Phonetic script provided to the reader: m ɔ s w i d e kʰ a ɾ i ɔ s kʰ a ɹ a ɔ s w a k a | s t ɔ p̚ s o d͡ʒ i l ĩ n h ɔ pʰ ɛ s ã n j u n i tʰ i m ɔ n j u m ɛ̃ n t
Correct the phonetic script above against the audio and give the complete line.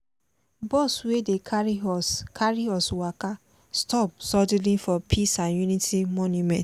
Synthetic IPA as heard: b ɔ s w e d e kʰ a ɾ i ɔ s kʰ a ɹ i ɔ s w a k a | s t ɔ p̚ s ɔ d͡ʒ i l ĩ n f ɔ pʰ i s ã n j u n i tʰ i m ɔ n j u m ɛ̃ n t